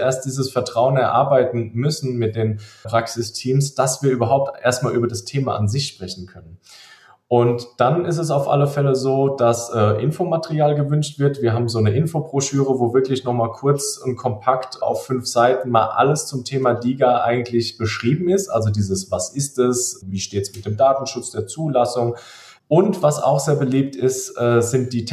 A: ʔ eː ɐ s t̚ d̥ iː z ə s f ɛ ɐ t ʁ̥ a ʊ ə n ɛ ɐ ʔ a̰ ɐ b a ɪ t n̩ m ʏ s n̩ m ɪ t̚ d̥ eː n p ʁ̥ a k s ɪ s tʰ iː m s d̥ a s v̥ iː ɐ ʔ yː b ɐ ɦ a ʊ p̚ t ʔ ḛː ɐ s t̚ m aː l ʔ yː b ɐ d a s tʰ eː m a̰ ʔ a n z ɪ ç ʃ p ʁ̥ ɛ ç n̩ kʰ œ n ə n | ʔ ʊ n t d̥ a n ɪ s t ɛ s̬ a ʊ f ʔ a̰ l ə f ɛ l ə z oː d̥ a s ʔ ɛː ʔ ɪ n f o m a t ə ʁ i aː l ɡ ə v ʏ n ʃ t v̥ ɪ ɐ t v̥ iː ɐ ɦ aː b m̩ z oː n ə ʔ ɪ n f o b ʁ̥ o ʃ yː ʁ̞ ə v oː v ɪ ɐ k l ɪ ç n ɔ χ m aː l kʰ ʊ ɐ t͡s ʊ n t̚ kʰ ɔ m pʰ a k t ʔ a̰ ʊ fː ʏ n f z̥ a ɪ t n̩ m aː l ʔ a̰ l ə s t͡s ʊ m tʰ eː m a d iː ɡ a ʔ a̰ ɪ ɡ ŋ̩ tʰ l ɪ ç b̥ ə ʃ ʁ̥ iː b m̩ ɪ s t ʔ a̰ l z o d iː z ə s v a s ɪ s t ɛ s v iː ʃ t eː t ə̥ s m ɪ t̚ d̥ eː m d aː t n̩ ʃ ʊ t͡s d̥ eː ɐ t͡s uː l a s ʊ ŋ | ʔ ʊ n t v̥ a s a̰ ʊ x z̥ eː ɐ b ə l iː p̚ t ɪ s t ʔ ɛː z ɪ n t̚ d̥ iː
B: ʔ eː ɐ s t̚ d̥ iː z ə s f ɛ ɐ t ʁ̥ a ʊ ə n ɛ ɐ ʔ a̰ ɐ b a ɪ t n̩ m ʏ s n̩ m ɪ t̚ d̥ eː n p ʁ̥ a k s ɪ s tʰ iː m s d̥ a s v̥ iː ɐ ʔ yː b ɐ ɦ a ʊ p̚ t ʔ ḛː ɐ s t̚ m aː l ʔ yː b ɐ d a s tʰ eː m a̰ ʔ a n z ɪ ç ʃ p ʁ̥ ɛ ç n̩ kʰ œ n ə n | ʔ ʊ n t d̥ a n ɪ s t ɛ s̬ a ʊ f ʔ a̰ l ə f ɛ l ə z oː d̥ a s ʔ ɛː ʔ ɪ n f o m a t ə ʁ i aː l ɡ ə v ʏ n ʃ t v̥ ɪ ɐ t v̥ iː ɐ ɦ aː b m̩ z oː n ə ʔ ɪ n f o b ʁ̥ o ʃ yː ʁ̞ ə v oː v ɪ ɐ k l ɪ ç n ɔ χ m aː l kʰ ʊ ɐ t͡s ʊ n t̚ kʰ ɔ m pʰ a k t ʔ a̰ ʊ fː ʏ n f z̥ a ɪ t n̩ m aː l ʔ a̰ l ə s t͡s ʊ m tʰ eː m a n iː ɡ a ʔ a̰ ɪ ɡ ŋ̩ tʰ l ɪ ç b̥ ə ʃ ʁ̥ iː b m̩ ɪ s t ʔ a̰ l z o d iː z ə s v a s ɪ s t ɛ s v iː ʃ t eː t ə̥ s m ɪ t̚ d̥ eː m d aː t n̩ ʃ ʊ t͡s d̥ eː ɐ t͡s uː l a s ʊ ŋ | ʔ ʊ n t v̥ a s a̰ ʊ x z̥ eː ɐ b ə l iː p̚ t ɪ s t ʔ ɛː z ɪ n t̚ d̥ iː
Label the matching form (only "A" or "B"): A